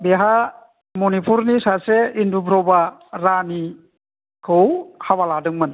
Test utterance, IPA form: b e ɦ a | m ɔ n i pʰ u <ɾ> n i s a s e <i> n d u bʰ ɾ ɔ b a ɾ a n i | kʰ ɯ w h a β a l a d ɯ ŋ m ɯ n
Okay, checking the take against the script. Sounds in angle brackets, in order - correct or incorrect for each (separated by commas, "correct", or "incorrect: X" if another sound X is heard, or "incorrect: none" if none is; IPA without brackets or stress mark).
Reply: correct, correct